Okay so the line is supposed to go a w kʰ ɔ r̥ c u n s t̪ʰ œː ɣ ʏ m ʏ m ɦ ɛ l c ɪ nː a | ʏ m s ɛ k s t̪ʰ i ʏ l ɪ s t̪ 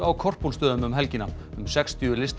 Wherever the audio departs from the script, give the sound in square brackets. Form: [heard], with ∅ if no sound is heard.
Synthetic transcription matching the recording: a w kʰ ɔ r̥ [p] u n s [t̪] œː [ð] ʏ m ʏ m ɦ ɛ l c ɪ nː a | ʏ m s ɛ k s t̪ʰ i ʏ l ɪ s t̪